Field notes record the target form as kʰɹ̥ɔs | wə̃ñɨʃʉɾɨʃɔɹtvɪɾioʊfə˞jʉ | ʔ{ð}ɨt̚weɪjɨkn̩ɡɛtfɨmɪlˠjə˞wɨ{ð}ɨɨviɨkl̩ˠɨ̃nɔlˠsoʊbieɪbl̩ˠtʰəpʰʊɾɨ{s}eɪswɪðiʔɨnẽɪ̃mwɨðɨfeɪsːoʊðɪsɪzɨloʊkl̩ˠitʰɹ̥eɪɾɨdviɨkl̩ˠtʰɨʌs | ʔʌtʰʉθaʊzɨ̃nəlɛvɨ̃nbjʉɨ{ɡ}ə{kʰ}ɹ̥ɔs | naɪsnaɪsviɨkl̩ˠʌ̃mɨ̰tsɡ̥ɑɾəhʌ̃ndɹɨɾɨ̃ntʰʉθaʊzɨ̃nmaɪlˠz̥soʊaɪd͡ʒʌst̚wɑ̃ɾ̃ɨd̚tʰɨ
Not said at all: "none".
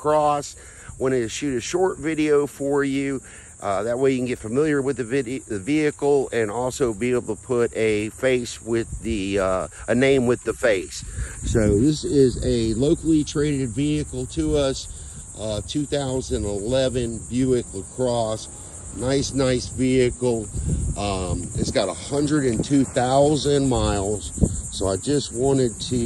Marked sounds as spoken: ð, ð, f, k, kʰ

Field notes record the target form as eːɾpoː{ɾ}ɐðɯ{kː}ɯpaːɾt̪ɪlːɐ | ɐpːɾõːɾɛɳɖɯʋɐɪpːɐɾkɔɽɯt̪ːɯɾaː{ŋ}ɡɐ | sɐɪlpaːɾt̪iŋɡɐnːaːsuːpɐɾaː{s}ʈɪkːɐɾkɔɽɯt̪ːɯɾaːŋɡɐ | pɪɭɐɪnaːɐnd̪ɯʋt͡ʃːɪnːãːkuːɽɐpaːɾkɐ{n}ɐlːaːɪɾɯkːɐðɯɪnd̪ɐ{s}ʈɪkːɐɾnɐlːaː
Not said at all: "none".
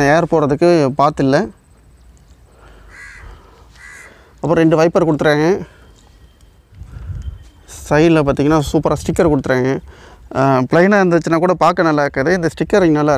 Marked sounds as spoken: ɾ, kː, ŋ, s, n, s

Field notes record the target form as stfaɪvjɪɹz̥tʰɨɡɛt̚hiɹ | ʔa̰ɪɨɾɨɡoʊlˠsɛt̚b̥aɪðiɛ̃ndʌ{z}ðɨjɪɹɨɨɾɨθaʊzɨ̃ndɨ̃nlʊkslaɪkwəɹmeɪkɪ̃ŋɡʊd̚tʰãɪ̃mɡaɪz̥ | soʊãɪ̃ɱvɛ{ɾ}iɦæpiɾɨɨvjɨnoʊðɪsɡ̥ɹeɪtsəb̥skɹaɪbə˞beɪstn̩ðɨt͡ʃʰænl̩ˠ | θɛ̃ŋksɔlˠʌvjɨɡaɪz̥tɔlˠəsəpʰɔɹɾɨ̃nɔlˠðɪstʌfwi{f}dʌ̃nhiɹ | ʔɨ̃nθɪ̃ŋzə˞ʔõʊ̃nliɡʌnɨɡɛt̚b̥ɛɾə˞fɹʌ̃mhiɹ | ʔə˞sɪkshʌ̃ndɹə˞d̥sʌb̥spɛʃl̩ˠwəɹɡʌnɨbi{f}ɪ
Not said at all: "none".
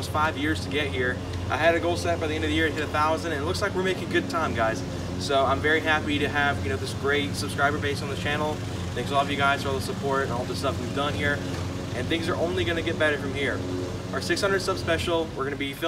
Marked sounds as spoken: v, ɹ, v, f

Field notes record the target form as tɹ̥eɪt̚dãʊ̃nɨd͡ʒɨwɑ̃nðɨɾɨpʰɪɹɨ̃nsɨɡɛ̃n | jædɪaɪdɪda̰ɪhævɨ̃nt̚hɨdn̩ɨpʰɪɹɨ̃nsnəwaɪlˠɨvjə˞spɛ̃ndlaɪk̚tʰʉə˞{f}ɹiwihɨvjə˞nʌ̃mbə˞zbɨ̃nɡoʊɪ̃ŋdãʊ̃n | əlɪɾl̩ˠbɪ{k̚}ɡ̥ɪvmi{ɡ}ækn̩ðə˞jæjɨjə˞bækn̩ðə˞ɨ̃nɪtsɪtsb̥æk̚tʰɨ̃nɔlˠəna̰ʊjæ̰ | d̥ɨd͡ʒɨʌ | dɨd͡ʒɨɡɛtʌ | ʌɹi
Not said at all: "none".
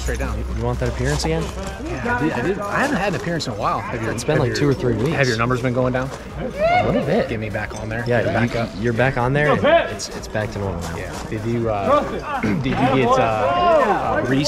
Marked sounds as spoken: θ, t̚, b

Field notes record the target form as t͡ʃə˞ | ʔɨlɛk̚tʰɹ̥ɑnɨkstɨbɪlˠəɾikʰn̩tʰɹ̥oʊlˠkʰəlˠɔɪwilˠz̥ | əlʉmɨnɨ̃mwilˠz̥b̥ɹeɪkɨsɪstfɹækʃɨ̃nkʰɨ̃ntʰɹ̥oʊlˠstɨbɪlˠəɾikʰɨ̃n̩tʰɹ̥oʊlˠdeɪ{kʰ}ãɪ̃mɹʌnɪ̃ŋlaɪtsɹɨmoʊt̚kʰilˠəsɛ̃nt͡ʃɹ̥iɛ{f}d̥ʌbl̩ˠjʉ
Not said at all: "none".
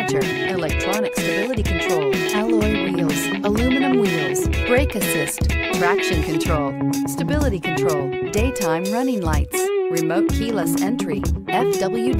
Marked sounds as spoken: tʰ, f

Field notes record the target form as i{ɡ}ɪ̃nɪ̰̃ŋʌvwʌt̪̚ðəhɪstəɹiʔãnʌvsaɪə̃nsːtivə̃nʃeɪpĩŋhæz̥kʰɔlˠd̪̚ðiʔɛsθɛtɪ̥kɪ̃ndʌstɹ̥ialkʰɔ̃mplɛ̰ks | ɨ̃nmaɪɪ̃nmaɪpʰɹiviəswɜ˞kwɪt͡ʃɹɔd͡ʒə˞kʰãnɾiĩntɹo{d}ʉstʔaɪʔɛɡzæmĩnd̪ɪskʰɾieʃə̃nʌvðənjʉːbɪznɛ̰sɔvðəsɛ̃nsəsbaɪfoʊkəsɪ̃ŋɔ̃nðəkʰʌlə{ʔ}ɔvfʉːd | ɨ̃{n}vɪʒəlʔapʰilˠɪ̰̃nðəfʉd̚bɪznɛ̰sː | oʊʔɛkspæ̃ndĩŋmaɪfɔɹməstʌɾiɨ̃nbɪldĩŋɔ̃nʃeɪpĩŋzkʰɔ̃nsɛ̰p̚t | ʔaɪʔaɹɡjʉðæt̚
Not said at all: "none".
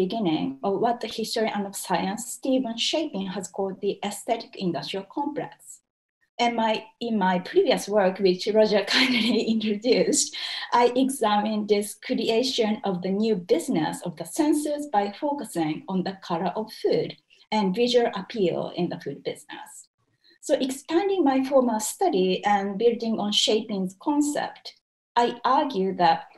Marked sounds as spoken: ɡ, d, ʔ, n

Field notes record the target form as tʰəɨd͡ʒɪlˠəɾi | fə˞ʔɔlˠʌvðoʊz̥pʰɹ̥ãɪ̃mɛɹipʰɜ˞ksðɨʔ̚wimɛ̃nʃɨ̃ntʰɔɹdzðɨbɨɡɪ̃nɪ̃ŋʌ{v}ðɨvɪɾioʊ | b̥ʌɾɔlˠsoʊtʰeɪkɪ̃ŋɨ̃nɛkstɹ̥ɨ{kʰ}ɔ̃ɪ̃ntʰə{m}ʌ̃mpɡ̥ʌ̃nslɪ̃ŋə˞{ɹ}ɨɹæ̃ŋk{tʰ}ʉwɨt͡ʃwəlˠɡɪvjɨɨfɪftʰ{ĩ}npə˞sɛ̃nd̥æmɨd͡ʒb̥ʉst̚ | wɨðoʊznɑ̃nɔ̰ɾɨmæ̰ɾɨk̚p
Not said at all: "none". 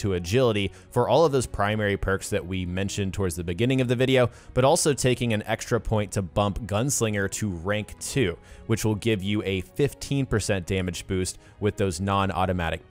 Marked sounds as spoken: v, pʰ, b, ɾ, tʰ, ĩ

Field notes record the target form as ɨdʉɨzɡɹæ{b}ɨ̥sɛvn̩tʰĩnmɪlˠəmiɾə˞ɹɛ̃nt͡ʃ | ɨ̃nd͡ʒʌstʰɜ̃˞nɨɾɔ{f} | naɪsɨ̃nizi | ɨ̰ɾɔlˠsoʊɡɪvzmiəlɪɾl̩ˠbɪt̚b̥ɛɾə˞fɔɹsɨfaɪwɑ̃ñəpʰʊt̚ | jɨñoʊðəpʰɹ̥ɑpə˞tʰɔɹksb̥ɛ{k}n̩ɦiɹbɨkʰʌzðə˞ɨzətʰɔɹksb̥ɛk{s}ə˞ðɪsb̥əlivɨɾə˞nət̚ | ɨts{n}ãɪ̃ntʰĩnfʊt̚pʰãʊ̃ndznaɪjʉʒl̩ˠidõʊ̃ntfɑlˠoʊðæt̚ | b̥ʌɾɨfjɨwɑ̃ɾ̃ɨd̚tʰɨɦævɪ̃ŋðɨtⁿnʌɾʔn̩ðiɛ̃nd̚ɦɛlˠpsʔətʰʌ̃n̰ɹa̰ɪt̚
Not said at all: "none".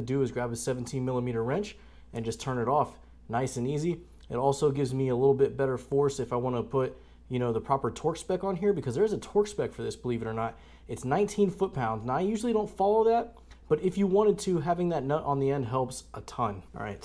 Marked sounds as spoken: b, f, k, f, n

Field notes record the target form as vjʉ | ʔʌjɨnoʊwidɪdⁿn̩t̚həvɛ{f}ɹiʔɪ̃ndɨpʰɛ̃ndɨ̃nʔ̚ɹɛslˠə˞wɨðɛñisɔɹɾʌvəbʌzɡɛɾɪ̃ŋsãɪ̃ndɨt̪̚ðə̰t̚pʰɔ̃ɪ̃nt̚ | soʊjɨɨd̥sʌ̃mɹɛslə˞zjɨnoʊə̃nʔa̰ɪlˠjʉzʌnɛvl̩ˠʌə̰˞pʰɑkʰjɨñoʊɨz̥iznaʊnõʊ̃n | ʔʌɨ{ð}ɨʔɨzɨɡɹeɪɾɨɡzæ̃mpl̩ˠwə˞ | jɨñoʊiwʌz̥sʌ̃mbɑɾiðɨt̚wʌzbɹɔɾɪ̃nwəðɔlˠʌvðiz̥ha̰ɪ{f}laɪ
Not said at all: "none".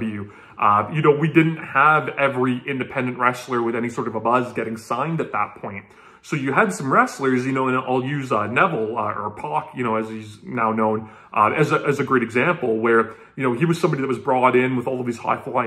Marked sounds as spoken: v, z, f

